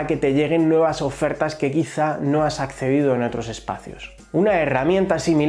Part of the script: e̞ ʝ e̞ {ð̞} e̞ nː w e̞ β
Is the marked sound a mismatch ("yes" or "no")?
yes